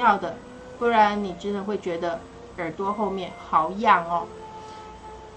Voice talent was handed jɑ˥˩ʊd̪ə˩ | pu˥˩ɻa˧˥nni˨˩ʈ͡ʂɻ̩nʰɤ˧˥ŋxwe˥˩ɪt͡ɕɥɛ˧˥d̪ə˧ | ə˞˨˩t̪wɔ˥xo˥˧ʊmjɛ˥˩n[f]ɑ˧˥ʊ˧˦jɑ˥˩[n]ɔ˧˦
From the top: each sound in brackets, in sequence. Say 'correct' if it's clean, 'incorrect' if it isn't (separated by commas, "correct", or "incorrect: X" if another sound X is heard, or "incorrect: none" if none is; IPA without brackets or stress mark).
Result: incorrect: x, incorrect: ŋ